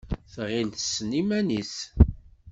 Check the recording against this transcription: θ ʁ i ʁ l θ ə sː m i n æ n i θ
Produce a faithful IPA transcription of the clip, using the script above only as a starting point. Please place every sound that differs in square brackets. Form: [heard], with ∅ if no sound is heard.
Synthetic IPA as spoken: θ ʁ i [∅] l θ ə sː [n] i [m] æ n i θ